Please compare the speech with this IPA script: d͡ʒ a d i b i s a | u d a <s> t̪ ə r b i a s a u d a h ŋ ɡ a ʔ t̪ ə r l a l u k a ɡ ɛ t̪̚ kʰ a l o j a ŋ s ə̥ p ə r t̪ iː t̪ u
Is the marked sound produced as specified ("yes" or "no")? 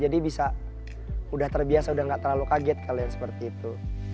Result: no